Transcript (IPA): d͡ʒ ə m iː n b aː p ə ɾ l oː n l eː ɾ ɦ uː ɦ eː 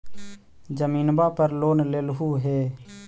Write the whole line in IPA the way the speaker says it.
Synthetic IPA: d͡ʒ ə m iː n b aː p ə ɾ l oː n l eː l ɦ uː ɦ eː